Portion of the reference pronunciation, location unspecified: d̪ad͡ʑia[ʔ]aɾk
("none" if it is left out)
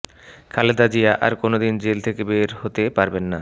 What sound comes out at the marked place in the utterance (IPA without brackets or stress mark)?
ʔ